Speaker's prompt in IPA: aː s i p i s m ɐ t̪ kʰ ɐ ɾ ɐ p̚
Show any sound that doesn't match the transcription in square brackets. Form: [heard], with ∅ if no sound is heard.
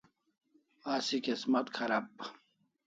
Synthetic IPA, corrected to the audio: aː s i [k] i s m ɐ t̪ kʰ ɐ ɾ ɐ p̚